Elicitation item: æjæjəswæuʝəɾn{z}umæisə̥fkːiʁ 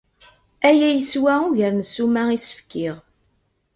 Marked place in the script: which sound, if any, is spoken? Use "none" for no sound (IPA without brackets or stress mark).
s